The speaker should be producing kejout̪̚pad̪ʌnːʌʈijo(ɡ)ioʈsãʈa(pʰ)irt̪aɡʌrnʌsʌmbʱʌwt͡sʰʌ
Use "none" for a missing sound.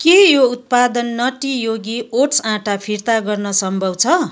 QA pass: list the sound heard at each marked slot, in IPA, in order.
ɡ, pʰ

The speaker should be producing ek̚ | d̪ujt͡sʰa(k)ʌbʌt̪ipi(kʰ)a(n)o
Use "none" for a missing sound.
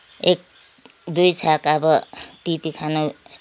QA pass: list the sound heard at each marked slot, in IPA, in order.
k, kʰ, n

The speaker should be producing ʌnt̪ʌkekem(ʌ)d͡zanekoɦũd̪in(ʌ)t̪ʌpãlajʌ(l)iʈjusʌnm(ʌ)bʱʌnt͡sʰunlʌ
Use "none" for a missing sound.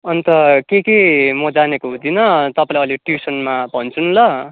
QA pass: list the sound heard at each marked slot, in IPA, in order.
ʌ, ʌ, l, a

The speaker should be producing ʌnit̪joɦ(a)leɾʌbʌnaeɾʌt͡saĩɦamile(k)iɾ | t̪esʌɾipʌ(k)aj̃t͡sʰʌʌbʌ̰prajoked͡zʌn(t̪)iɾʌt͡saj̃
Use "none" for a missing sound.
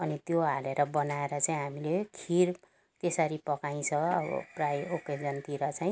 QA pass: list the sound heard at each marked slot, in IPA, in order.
a, kʰ, k, t̪

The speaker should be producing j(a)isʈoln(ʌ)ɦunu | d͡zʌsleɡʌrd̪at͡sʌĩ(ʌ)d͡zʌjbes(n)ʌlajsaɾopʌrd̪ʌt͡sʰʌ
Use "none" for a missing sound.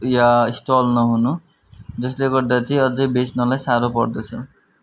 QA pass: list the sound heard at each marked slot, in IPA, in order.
a, ʌ, ʌ, n

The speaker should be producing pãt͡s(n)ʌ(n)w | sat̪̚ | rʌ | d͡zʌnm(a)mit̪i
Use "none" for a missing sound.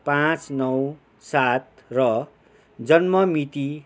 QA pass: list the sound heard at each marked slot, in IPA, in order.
n, none, ʌ

